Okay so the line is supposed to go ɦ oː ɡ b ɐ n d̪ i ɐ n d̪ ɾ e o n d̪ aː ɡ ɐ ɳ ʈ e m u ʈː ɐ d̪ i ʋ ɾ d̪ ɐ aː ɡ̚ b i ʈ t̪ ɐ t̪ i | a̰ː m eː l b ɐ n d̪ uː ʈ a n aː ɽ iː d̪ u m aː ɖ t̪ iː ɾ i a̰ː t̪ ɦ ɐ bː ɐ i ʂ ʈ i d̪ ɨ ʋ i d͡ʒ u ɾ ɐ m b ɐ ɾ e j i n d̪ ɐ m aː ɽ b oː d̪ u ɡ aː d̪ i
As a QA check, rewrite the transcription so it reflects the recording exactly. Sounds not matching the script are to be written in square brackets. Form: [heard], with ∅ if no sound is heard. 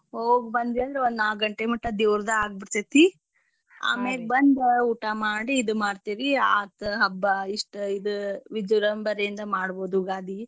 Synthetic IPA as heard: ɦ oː ɡ b ɐ n d̪ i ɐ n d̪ ɾ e o n d̪ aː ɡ ɐ ɳ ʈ e m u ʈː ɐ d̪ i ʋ ɾ d̪ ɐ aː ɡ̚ b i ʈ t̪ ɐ t̪ i | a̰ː m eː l b ɐ n d̪ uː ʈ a [m] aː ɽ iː d̪ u m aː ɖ t̪ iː ɾ i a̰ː t̪ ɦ ɐ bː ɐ i ʂ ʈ i d̪ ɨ ʋ i d͡ʒ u ɾ ɐ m b ɐ ɾ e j i n d̪ ɐ m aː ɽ b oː d̪ u ɡ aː d̪ i

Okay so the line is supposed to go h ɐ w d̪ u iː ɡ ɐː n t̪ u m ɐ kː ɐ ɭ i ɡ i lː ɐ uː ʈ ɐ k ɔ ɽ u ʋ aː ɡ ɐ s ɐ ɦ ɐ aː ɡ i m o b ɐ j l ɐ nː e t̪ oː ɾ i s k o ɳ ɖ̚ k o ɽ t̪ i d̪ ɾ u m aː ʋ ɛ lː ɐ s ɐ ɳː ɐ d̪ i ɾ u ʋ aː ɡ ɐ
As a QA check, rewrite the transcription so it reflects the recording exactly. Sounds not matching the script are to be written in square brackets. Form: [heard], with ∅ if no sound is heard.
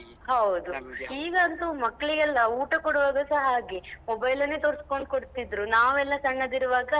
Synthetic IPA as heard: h ɐ w d̪ u iː ɡ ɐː n t̪ u m ɐ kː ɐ ɭ i ɡ [ɛ] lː ɐ uː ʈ ɐ k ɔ ɽ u ʋ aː ɡ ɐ s ɐ ɦ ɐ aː ɡ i m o b ɐ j l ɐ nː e t̪ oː ɾ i s k o ɳ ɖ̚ k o ɽ t̪ i d̪ ɾ u [n] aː ʋ ɛ lː ɐ s ɐ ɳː ɐ d̪ i ɾ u ʋ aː ɡ ɐ

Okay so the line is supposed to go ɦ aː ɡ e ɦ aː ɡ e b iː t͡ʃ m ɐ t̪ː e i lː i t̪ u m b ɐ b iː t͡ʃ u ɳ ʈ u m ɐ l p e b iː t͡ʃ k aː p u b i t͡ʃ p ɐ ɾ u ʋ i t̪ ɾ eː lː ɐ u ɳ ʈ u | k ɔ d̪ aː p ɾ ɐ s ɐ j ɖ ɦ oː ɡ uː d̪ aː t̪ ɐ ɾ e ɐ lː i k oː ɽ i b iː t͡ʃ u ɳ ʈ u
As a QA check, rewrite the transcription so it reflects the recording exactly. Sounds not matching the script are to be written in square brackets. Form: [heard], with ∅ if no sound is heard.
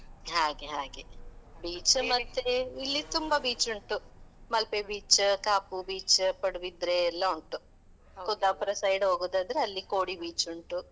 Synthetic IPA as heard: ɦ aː ɡ e ɦ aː ɡ e b iː t͡ʃ m ɐ t̪ː e i lː i t̪ u m b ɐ b iː t͡ʃ u ɳ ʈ u m ɐ l p e b iː t͡ʃ k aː p u b [iː] t͡ʃ p ɐ [ɽ] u ʋ i [d̪] ɾ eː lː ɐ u ɳ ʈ u | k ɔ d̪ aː p ɾ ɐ s ɐ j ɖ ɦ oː ɡ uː d̪ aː [d̪] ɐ ɾ e ɐ lː i k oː ɽ i b iː t͡ʃ u ɳ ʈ u

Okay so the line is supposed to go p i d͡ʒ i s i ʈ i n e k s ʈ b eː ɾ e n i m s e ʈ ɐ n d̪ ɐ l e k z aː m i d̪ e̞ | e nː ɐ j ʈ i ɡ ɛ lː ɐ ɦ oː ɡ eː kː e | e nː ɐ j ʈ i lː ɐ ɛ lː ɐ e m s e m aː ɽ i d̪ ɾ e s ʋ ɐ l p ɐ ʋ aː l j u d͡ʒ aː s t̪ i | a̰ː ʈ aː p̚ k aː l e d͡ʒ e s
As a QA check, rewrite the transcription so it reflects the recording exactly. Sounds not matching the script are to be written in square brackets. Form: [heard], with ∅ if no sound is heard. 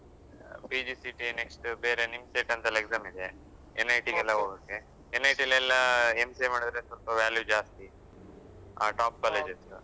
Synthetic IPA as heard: p i d͡ʒ i s i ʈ i n e k s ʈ b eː ɾ e n i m s e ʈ ɐ n [t̪] ɐ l e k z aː m i d̪ e̞ | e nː ɐ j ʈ i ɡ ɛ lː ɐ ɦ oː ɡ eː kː e | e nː ɐ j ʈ i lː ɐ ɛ lː ɐ e m s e m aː ɽ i d̪ ɾ e s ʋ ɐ l p ɐ ʋ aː l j u d͡ʒ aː s t̪ i | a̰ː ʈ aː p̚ k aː l e d͡ʒ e s

